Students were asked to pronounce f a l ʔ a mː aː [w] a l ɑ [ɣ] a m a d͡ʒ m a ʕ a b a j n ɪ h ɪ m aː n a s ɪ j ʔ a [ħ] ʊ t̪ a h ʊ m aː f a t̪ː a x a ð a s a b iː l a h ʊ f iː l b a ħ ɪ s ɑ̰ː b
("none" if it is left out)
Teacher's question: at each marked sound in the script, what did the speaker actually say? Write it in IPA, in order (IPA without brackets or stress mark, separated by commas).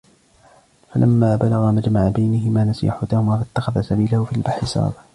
b, ɣ, ħ